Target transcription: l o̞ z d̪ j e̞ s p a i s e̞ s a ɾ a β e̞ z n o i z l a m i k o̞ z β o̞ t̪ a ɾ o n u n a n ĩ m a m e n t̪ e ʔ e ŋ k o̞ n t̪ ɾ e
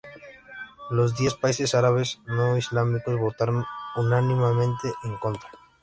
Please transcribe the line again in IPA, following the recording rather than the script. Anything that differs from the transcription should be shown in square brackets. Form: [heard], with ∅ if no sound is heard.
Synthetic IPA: l o̞ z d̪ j e̞ s p a i s e̞ s a ɾ a β e̞ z n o i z l a m i k o̞ z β o̞ t̪ a ɾ o n u n a n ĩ m a m [ẽ] n t̪ e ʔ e ŋ k o̞ n t̪ ɾ [a]

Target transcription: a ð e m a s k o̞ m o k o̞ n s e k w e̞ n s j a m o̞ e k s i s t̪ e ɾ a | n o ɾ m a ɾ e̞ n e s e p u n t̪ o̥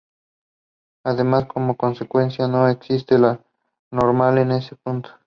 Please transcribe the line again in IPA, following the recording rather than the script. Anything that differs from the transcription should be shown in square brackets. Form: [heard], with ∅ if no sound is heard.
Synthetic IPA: a ð e m a s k o̞ m o k o̞ n s e k w e̞ n s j a [n] o̞ e k s i s t̪ e [l] a | n o ɾ m a [l] e̞ n e s e p u n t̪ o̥

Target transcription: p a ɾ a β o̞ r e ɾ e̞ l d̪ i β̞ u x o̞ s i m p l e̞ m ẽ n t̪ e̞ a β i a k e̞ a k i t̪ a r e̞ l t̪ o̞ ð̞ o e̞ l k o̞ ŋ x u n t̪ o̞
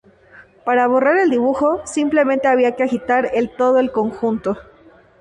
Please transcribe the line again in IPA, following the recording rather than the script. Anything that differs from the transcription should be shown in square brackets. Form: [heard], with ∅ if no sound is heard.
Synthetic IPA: p a ɾ a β o̞ r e ɾ e̞ l d̪ i β̞ u x o̞ s i m p l e̞ m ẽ n t̪ e̞ a β i a k e̞ a [x] i t̪ a [ɾ] e̞ l t̪ o̞ ð̞ o e̞ l k o̞ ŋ x u n t̪ o̞

